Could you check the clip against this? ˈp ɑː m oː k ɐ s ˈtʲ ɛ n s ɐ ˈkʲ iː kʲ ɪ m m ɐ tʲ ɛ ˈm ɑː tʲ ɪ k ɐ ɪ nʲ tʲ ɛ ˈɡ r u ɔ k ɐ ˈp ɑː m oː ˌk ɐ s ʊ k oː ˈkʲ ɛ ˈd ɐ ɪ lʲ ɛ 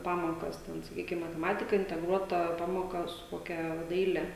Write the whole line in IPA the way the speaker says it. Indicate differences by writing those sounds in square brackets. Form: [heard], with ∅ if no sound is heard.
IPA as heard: ˈp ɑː m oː k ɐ s ˈtʲ ɛ n s ɐ ˈkʲ iː kʲ ɪ m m ɐ tʲ ɛ ˈm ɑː tʲ ɪ k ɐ ɪ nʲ tʲ ɛ ˈɡ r u ɔ [t] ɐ ˈp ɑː m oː ˌk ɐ s ʊ k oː ˈkʲ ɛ ˈd ɐ ɪ lʲ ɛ